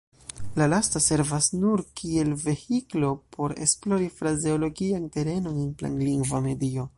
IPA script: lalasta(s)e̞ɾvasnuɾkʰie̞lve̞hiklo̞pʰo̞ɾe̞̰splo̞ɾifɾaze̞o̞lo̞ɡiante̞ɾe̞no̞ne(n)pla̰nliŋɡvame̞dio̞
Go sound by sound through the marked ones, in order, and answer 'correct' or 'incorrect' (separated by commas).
correct, correct